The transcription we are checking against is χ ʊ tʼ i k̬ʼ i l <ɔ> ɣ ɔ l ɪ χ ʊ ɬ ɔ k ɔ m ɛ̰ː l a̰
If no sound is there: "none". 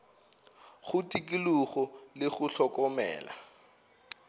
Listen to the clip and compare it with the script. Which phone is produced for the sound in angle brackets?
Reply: u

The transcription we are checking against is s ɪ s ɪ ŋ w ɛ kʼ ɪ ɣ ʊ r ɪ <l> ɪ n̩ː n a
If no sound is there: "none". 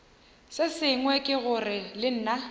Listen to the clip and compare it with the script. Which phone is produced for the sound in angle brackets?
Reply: l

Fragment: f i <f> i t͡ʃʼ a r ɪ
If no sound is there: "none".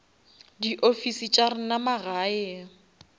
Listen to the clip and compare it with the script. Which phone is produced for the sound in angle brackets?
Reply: s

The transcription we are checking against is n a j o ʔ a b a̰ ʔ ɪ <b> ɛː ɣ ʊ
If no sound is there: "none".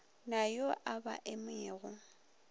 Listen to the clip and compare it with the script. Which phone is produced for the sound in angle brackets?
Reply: m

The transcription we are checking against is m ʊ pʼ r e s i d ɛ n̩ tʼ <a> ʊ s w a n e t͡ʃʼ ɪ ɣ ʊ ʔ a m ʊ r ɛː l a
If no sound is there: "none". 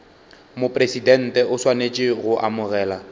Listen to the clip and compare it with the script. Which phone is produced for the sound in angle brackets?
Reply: ɛ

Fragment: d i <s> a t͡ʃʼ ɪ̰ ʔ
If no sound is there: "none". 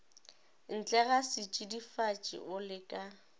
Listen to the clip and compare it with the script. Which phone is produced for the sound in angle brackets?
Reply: f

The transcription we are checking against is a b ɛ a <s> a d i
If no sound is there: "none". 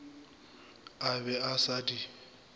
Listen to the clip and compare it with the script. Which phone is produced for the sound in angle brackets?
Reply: s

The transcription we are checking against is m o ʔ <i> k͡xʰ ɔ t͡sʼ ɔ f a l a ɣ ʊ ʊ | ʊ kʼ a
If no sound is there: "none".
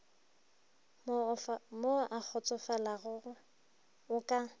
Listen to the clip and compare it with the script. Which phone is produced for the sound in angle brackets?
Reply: a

